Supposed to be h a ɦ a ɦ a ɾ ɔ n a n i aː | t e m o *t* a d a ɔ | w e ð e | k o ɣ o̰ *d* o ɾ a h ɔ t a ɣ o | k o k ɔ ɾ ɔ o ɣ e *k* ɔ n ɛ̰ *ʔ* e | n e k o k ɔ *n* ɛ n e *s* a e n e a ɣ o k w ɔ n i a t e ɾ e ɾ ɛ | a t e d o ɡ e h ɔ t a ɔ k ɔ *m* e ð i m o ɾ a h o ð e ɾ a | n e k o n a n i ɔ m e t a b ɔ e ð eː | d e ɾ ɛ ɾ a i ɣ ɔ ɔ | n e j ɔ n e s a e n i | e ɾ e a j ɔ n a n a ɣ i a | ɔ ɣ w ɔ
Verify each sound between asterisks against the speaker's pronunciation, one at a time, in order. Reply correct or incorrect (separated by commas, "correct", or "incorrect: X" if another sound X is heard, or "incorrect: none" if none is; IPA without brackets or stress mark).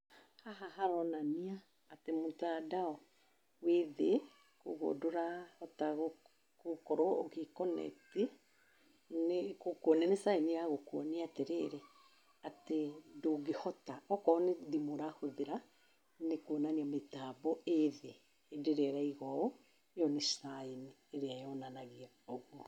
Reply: correct, correct, correct, incorrect: t, correct, correct, incorrect: n